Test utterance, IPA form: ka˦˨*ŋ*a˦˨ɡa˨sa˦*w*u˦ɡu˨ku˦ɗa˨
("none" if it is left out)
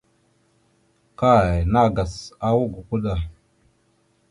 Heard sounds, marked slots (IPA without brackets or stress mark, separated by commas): n, w